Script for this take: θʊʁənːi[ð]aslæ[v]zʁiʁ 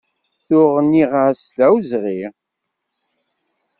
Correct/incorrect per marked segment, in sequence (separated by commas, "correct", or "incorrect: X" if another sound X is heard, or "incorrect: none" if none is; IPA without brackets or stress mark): incorrect: ʁ, incorrect: w